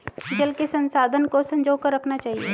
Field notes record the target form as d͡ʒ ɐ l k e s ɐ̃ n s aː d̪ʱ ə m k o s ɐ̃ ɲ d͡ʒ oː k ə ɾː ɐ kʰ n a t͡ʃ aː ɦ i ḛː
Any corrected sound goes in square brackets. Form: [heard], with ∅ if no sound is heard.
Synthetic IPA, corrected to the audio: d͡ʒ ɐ l k e s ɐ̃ n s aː d̪ʱ ə [n] k o s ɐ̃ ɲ d͡ʒ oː k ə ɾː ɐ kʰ n a t͡ʃ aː ɦ i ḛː